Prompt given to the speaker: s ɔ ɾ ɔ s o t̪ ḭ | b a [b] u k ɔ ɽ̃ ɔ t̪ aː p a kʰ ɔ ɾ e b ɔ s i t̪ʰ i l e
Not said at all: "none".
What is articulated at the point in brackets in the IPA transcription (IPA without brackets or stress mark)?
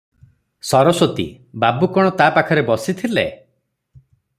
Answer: b